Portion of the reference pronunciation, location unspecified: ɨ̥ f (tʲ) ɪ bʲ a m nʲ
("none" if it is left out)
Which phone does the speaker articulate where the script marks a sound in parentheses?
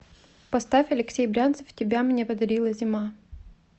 tʲ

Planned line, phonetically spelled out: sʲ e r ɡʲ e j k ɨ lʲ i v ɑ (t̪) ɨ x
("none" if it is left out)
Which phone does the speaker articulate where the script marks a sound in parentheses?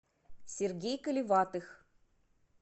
t̪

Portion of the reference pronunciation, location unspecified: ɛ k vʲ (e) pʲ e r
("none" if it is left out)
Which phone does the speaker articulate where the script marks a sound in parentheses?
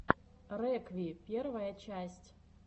i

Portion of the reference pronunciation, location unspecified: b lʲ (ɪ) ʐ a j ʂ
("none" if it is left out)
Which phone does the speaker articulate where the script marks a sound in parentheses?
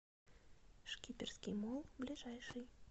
i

